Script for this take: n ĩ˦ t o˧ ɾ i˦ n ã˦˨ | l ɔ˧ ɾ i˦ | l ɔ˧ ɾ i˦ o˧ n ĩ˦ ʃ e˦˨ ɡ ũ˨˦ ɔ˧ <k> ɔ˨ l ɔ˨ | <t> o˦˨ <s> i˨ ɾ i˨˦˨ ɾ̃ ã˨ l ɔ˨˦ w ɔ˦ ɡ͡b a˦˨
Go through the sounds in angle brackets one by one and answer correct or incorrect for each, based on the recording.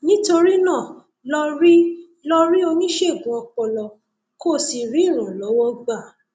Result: incorrect: k͡p, incorrect: k, correct

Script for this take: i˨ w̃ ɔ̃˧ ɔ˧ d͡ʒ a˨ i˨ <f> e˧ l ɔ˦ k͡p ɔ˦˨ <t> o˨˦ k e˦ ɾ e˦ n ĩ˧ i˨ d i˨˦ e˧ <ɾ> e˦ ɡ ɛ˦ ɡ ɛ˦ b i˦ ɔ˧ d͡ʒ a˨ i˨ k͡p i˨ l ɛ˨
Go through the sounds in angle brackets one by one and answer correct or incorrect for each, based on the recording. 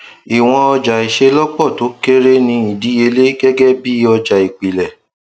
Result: incorrect: ʃ, correct, incorrect: l

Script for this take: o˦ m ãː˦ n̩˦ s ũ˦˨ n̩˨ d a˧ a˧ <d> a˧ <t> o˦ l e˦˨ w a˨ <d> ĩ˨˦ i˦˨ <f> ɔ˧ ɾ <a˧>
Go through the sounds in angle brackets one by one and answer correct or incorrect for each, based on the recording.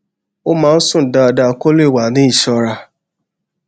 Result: correct, incorrect: k, incorrect: n, incorrect: ʃ, correct

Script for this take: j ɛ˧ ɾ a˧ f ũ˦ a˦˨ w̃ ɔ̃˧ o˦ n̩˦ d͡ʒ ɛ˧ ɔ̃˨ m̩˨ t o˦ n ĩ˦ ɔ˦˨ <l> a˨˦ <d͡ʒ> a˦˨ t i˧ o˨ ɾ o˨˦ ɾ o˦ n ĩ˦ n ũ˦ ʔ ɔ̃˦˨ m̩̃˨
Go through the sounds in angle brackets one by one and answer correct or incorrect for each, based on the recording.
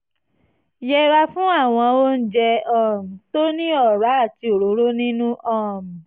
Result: incorrect: ɾ, incorrect: none

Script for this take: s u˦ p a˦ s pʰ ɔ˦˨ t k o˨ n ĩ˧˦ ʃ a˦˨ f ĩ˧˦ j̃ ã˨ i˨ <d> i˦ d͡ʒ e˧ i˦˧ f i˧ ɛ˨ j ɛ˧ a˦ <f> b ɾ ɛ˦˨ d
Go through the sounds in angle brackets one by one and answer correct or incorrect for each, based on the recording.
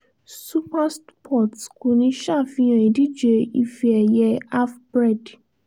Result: correct, correct

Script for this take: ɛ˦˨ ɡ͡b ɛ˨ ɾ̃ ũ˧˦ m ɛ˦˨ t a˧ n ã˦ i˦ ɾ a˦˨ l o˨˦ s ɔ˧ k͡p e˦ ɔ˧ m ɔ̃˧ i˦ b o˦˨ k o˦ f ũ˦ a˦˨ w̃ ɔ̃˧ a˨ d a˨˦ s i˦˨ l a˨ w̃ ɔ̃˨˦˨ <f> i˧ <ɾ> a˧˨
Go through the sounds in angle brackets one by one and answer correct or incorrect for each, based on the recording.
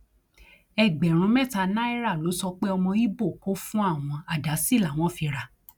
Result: correct, correct

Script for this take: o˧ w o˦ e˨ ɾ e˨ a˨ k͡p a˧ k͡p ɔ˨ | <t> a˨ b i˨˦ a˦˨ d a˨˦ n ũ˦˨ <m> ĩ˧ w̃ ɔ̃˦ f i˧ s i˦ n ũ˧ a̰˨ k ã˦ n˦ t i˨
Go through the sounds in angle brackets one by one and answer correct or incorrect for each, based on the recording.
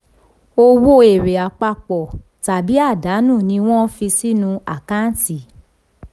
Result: correct, incorrect: n

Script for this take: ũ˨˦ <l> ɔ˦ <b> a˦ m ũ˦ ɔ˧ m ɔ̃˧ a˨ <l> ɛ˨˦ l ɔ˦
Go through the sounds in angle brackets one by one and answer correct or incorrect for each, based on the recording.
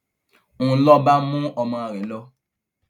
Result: correct, correct, incorrect: ɾ

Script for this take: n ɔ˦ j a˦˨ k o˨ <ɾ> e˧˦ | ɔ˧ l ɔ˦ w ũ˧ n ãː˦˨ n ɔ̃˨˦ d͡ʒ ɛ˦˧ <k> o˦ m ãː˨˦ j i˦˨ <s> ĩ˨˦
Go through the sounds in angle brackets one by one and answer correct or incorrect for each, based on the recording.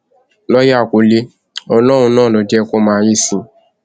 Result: incorrect: l, correct, correct

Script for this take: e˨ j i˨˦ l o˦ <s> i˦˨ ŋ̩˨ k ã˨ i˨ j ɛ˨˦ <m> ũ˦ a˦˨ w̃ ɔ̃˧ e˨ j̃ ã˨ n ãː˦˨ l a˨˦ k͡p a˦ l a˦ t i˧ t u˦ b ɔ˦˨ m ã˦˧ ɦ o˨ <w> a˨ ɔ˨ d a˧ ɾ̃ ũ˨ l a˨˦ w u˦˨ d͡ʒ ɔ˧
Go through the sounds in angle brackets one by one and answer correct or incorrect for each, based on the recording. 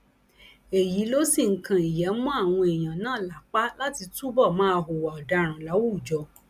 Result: correct, correct, correct

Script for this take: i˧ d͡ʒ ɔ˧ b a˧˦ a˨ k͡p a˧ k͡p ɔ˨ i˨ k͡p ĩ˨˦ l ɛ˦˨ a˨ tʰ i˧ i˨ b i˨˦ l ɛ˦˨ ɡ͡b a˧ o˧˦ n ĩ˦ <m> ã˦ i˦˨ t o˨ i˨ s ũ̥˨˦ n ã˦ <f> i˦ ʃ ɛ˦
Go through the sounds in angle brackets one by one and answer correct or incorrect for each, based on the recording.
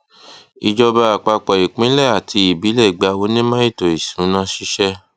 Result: correct, incorrect: ʃ

